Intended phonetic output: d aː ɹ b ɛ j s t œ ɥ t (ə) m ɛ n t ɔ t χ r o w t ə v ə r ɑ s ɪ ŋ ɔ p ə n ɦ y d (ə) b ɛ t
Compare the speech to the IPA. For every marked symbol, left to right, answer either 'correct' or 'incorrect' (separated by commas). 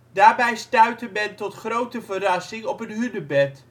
correct, correct